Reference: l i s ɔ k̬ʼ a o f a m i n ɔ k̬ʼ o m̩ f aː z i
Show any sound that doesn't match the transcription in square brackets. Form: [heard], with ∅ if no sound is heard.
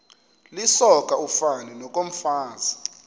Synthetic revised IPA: l i s ɔ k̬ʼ a [u] f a [n] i n ɔ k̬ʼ o m̩ f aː z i